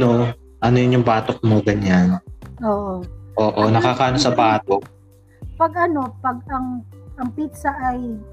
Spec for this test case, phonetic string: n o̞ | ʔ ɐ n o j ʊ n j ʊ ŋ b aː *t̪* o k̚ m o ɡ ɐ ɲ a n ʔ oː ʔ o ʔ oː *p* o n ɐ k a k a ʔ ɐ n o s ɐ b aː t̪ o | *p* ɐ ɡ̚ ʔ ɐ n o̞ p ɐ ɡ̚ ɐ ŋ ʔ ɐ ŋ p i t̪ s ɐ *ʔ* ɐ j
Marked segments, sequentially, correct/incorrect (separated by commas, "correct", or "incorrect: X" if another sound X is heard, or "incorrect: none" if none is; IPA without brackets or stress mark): correct, incorrect: ʔ, correct, correct